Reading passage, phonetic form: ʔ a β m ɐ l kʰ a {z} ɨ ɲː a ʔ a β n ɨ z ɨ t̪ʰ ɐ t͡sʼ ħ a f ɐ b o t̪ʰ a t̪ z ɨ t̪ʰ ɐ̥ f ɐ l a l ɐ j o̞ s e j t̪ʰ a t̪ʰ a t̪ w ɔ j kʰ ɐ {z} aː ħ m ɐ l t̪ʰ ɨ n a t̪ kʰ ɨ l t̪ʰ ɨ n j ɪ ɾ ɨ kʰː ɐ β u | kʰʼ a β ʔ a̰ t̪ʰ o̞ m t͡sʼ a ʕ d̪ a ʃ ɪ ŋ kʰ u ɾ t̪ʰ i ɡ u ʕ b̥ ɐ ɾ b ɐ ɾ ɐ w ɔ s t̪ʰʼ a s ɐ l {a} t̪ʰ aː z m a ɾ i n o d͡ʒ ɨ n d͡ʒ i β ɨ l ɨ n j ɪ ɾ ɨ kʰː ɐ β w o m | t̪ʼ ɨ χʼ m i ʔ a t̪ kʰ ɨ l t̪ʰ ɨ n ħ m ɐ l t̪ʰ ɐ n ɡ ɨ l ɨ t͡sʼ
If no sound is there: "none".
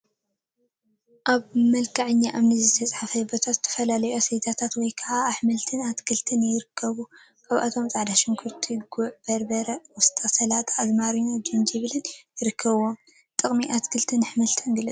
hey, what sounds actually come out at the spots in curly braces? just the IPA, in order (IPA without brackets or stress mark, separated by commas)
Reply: ʕ, ʕ, a